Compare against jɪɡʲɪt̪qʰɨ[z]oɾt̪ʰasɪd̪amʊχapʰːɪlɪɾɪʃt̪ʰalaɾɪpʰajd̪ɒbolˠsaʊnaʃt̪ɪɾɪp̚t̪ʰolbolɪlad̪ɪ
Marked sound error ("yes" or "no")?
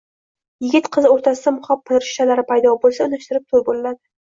no